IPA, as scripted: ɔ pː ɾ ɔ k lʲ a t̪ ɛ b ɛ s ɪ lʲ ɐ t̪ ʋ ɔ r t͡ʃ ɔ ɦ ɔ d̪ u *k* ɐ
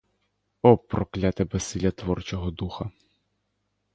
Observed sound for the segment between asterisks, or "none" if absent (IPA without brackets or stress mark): x